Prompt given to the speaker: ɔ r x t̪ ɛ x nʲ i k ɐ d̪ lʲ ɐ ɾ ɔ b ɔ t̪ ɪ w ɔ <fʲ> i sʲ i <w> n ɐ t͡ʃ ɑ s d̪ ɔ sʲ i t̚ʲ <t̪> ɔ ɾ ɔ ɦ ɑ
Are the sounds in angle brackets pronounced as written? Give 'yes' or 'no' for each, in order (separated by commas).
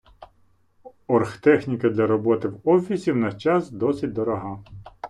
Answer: yes, yes, no